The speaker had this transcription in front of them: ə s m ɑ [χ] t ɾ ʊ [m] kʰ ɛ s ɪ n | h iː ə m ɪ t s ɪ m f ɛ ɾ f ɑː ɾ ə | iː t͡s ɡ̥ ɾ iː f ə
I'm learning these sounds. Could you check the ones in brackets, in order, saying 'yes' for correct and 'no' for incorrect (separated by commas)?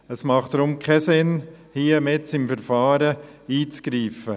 yes, yes